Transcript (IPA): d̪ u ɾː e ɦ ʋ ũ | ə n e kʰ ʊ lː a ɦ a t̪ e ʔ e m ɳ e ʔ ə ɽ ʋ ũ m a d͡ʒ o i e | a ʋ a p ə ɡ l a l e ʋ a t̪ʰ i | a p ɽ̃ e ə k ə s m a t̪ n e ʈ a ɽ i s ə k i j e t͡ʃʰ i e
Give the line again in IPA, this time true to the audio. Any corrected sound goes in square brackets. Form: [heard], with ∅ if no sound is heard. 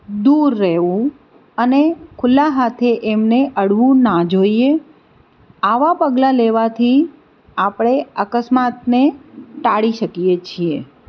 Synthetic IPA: d̪ u ɾː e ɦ ʋ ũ | ə n e kʰ ʊ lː a ɦ a [t̪ʰ] e ʔ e m [n] e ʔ ə ɽ ʋ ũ [n] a d͡ʒ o i e | a ʋ a p ə ɡ l a l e ʋ a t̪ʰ i | a p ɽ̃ e ə k ə s m a t̪ n e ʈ a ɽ i [ʃ] ə k i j e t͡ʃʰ i e